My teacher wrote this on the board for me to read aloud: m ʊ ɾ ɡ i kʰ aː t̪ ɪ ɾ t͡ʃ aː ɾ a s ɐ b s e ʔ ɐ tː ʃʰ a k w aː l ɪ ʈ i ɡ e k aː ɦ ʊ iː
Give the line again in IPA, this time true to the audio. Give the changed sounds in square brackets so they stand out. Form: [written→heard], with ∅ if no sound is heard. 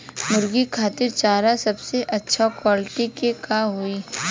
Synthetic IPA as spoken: m ʊ ɾ ɡ i kʰ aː t̪ ɪ ɾ t͡ʃ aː ɾ a s ɐ b s e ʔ ɐ tː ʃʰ a k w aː l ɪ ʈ i [ɡ→k] e k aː ɦ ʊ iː